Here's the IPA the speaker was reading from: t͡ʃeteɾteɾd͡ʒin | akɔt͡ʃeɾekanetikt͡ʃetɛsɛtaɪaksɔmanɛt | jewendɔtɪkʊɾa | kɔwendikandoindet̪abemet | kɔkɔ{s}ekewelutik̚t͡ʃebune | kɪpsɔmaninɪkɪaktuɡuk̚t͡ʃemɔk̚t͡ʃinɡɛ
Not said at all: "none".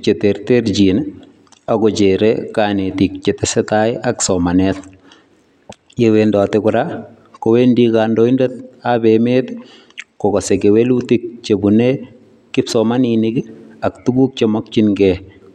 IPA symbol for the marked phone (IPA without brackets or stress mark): s